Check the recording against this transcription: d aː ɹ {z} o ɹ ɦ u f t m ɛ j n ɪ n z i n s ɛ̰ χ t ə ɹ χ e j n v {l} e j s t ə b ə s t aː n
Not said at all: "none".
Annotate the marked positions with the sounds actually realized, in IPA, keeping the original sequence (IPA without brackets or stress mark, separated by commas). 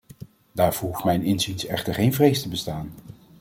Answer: v, r